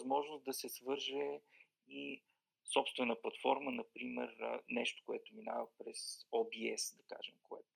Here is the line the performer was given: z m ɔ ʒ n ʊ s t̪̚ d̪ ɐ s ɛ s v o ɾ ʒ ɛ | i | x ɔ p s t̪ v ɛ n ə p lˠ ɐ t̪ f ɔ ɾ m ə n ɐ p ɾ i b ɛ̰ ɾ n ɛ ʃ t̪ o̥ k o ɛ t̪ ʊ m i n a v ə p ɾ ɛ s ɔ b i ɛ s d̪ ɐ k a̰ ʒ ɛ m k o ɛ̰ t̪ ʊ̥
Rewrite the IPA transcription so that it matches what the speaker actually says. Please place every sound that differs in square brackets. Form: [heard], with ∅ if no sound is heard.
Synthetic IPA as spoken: z m ɔ ʒ n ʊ s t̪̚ d̪ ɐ s ɛ s v [ɤ] ɾ ʒ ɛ | i | [s] ɔ p s t̪ v ɛ n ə p lˠ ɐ t̪ f ɔ ɾ m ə n ɐ p ɾ i [m] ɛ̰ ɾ n ɛ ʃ t̪ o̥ k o ɛ t̪ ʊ m i n a v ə p ɾ ɛ s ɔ b i ɛ s d̪ ɐ k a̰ ʒ ɛ m k o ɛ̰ t̪ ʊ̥